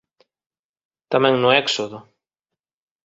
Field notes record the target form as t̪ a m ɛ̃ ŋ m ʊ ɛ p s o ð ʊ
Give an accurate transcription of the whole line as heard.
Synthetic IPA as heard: t̪ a m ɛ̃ ŋ n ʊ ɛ k s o ð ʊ

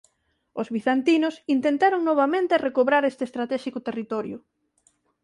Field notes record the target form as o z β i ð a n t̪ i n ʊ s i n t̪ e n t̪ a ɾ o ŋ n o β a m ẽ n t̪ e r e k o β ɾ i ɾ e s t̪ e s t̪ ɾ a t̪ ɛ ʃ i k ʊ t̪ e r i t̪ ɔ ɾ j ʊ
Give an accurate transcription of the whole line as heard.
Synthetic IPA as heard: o z β i θ a n t̪ i n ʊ s i n t̪ e n t̪ a ɾ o ŋ n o β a m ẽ n t̪ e r e k o β ɾ a ɾ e s t̪ e s t̪ ɾ a t̪ ɛ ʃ i k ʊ t̪ e r i t̪ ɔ ɾ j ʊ

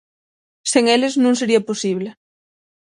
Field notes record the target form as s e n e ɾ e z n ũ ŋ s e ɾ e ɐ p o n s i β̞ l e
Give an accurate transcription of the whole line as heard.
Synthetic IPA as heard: s e ŋ e l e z n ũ ŋ s e ɾ i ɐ p o s i β̞ l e

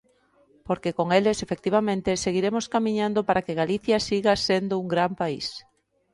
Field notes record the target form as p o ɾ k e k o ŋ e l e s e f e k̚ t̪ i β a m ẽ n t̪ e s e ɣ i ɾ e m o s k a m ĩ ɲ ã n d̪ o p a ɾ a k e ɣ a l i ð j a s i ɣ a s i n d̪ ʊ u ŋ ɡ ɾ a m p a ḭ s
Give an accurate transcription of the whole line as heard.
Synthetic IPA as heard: p o ɾ k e k o ŋ e l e s e f e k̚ t̪ i β a m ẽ n t̪ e s e ɣ i ɾ e m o s k a m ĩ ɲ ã n d̪ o p a ɾ a k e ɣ a l i θ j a s i ɣ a s e n d̪ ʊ u ŋ ɡ ɾ a m p a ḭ s

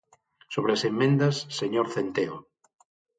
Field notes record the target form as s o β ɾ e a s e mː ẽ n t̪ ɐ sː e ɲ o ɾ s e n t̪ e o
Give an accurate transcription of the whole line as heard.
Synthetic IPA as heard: s o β ɾ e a s e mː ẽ n d̪ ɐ sː e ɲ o ɾ θ e n t̪ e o

